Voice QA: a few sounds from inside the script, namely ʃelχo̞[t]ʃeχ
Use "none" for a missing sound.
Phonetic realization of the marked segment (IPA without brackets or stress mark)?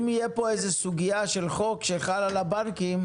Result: k